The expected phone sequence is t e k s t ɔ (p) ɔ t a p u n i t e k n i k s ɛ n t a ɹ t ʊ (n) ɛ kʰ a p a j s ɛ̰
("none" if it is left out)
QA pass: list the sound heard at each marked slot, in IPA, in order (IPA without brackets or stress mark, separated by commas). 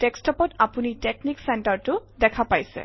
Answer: p, d